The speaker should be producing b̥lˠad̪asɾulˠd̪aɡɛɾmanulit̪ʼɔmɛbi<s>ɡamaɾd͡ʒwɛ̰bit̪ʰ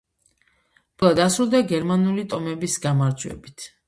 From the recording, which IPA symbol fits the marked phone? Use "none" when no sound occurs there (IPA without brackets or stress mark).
s